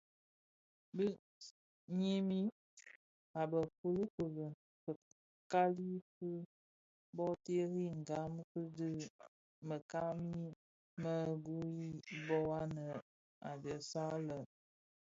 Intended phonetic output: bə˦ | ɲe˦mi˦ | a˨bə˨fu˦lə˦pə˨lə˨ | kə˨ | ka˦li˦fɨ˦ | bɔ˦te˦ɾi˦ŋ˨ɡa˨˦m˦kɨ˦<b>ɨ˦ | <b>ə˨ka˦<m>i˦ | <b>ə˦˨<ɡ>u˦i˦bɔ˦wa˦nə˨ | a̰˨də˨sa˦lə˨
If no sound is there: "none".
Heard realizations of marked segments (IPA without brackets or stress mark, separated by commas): d, m, m, m, ɡ